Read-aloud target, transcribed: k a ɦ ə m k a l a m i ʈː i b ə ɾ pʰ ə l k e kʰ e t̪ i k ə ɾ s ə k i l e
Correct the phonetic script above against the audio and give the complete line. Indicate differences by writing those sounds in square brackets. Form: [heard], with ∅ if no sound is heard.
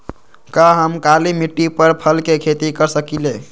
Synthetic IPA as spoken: k a ɦ ə m k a l [i] m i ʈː i [p] ə ɾ pʰ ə l k e kʰ e t̪ i k ə ɾ s ə k i l e